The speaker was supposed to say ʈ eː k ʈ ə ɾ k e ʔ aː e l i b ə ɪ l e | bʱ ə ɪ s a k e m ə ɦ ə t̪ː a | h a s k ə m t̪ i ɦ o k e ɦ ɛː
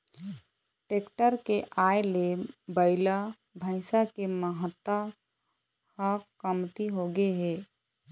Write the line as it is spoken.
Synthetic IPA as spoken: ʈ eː k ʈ ə ɾ k e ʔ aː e l e b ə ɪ l a | bʱ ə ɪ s a k e m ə ɦ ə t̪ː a | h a k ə m t̪ i ɦ o ɡ e ɦ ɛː